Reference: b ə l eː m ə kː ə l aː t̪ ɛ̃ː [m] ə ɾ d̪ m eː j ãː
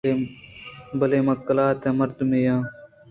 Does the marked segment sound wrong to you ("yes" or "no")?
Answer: no